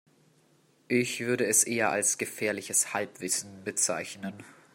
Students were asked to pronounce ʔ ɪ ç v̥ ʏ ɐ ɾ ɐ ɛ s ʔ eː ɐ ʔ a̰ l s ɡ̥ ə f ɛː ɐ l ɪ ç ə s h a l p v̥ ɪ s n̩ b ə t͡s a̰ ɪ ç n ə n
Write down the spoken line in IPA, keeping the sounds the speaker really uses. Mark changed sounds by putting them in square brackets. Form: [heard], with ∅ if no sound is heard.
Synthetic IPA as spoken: ʔ ɪ ç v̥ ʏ ɐ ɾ [ə] ɛ s ʔ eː ɐ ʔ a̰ l s ɡ̥ ə f ɛː ɐ l ɪ ç ə s h a l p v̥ ɪ s n̩ b ə t͡s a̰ ɪ ç n ə n